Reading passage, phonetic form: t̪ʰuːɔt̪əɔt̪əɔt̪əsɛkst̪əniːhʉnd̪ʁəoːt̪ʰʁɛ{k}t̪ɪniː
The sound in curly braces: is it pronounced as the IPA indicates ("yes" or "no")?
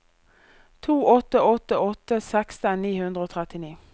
no